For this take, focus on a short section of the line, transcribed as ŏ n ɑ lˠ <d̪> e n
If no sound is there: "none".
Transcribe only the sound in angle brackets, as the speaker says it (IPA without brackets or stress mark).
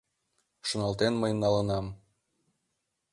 t̪